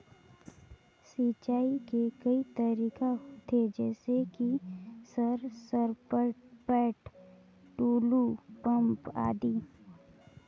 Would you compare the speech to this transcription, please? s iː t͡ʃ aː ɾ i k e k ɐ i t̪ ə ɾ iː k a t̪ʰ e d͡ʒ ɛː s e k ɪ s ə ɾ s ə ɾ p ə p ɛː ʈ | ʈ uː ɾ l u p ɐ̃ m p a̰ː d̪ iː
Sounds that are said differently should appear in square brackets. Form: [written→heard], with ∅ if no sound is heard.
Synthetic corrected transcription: s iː t͡ʃ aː [ɾ→∅] i k e k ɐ i t̪ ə ɾ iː k a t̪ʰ e d͡ʒ ɛː s e k [ɪ→i] s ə ɾ s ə ɾ p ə p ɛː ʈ | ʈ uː [ɾ→∅] l u p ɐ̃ m p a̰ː d̪ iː